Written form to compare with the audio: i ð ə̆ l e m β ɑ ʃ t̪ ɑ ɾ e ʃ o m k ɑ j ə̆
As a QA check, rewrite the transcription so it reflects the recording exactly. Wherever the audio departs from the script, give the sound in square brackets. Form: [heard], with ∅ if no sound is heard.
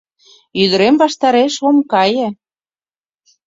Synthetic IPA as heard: [y] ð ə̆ [ɾ] e m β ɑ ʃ t̪ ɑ ɾ e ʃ o m k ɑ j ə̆